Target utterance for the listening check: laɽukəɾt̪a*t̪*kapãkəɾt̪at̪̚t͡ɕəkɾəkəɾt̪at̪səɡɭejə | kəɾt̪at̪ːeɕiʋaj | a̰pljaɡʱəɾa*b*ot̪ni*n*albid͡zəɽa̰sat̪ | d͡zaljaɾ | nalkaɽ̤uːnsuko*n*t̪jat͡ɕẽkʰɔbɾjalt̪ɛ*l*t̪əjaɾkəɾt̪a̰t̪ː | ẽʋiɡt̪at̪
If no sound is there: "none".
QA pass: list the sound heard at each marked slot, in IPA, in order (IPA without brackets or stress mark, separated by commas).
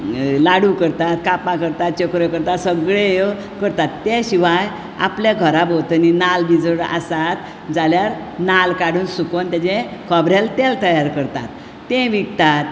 t̪, b, n, n, l